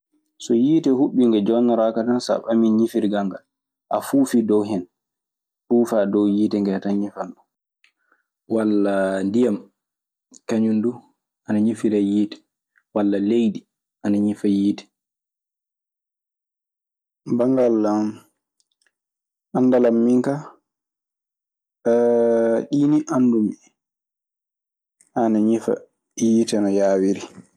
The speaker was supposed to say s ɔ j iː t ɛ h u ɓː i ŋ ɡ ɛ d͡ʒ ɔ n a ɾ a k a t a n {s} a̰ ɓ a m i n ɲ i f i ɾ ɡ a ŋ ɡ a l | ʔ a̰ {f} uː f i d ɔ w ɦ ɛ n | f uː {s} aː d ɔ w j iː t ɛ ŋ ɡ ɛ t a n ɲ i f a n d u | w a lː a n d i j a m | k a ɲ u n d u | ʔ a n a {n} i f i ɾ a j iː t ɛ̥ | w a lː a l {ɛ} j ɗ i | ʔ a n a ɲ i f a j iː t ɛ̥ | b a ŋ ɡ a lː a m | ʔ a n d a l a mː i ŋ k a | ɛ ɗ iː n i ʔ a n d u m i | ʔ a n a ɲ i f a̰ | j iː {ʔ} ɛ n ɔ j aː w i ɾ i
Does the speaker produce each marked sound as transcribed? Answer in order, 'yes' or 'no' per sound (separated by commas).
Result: yes, yes, no, no, no, no